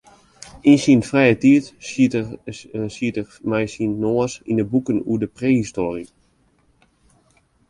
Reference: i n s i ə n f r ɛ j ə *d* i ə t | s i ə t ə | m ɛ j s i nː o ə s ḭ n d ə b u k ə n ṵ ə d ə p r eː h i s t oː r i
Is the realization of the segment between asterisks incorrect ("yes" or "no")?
yes